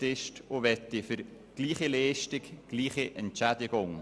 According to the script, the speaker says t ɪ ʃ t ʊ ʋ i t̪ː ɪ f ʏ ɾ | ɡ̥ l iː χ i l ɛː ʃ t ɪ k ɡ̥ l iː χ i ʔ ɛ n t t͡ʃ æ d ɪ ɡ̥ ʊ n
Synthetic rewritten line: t ɪ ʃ t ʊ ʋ ɛ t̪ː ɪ f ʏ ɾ | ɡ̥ l iː χ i l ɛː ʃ t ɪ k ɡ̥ l iː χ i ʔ ɛ n t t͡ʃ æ d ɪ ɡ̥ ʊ ŋ